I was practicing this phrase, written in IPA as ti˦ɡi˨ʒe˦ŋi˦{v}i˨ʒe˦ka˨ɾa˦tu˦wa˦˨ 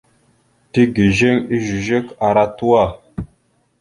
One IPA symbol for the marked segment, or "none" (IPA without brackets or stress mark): ʒ